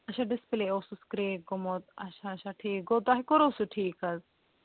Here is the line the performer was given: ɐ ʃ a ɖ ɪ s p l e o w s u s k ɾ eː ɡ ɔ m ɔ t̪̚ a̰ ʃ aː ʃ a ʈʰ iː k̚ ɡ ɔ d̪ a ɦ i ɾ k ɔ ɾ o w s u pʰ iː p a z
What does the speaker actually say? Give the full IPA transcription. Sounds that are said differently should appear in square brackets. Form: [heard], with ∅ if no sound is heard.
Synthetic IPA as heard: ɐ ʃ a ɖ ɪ s p l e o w s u s k ɾ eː ɡ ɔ m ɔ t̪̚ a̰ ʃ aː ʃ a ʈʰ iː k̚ ɡ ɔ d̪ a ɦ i [∅] k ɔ ɾ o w s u [ʈʰ] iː [k] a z